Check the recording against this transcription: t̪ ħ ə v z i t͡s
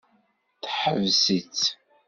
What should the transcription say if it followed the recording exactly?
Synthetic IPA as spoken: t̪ ħ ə v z i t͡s